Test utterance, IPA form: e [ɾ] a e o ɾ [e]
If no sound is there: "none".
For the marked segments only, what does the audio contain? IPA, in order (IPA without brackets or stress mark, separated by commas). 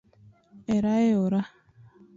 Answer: ɾ, a